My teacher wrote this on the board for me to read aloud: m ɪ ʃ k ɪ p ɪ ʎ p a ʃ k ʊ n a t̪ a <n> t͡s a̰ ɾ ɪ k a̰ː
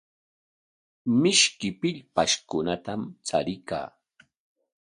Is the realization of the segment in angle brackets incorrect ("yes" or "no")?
yes